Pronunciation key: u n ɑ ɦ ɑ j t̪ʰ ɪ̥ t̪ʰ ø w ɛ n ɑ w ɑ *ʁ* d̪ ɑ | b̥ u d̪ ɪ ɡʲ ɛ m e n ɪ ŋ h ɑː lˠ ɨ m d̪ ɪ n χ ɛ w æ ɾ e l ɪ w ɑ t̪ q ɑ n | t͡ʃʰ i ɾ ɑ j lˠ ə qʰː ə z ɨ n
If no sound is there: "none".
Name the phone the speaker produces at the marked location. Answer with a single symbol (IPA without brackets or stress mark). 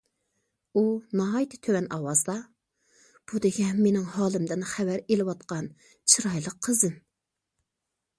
z